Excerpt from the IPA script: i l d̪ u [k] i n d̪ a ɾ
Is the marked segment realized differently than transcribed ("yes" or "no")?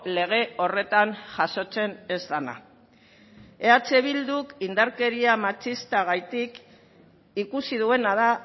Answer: no